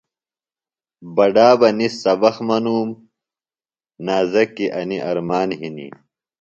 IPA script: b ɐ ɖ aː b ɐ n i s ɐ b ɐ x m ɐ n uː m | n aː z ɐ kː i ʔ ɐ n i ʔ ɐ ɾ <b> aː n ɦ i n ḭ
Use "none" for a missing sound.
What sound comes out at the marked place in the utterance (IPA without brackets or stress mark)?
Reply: m